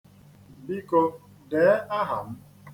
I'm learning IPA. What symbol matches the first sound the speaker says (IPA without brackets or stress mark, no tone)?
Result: b